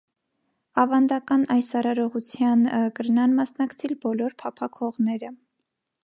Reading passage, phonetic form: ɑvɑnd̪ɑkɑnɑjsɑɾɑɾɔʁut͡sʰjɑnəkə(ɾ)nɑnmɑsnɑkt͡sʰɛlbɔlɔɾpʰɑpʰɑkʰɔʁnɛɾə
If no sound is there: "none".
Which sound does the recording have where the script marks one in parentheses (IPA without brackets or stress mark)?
ɾ